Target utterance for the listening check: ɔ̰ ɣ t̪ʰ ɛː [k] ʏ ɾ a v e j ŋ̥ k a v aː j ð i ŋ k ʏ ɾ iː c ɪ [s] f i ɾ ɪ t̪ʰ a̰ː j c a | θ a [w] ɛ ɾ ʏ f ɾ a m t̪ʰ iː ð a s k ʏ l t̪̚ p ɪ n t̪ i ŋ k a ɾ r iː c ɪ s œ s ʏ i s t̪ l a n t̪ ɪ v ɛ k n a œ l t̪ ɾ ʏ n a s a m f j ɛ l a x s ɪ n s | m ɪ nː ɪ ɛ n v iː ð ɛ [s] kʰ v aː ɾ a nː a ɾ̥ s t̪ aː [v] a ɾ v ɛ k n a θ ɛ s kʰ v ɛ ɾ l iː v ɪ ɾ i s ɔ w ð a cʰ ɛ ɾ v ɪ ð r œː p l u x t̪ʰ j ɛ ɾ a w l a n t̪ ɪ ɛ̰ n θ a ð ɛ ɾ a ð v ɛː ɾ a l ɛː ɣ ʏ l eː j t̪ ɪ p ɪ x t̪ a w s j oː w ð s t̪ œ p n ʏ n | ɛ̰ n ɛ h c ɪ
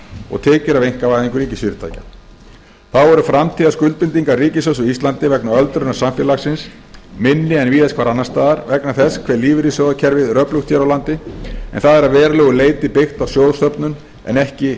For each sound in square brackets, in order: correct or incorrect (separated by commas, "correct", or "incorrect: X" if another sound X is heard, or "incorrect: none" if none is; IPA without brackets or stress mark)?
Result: incorrect: c, correct, correct, correct, incorrect: ð